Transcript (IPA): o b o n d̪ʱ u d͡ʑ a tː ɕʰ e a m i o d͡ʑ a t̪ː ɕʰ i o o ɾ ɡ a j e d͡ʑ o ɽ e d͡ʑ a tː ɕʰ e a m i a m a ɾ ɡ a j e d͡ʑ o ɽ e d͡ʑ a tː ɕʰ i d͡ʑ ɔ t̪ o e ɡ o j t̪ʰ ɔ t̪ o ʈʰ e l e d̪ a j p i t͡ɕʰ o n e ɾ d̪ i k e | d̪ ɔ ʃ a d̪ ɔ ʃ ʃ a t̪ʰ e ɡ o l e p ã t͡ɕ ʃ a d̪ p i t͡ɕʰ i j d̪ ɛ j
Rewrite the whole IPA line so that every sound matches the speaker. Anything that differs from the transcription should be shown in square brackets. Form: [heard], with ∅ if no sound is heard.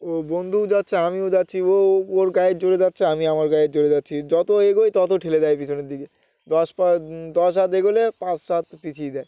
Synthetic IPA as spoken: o b o n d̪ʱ u d͡ʑ a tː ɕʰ e a m i o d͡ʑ a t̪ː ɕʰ i o o ɾ ɡ a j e d͡ʑ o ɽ e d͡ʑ a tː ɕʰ e a m i a m a ɾ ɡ a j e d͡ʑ o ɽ e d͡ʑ a tː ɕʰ i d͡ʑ ɔ t̪ o e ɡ o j [t̪] ɔ t̪ o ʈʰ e l e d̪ a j p i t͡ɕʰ o n e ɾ d̪ i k e | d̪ ɔ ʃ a d̪ ɔ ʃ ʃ a [t̪] e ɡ o l e p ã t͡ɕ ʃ a [t̪] p i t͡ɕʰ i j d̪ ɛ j